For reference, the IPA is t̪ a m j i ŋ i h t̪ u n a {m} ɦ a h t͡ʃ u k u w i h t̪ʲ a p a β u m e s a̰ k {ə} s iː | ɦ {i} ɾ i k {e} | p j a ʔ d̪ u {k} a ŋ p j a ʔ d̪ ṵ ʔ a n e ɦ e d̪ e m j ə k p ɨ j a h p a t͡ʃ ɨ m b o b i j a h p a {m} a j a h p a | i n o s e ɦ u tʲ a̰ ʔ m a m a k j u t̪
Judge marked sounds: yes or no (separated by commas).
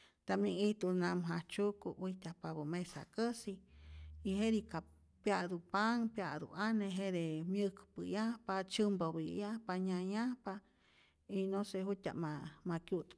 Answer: yes, yes, no, no, no, no